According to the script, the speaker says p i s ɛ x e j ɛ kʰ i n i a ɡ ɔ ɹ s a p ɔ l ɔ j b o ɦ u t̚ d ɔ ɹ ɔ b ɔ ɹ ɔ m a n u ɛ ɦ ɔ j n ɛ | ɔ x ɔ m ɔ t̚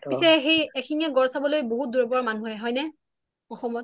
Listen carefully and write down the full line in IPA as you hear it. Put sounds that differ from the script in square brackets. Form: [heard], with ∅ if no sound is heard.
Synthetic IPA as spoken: p i s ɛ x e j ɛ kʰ i n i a ɡ ɔ ɹ s a [b] ɔ l [o] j b o ɦ u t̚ d [u] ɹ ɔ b ɔ ɹ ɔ m a n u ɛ ɦ ɔ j n ɛ | ɔ x ɔ m ɔ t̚